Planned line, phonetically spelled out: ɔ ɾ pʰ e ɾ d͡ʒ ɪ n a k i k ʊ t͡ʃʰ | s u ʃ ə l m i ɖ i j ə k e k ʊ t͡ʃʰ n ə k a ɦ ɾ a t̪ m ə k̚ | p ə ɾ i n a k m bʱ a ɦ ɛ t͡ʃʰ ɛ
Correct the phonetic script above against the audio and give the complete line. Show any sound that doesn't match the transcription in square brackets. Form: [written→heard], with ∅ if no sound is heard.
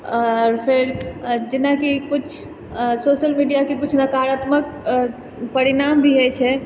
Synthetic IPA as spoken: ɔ ɾ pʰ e ɾ d͡ʒ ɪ n a k i k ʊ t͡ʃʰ | s [u→o] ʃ ə l m i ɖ i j [ə→a] k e k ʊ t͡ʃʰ n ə k a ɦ ɾ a t̪ m ə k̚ | p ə ɾ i n a [k→∅] m bʱ [a→i] ɦ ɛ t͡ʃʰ ɛ